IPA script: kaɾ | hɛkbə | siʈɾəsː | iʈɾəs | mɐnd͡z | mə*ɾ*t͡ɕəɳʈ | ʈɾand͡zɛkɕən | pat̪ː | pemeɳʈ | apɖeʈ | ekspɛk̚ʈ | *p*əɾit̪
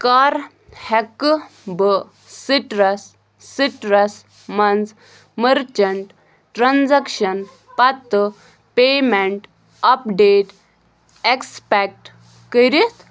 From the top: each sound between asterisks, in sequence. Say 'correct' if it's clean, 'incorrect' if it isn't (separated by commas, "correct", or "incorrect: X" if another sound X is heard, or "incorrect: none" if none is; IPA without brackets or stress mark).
correct, incorrect: k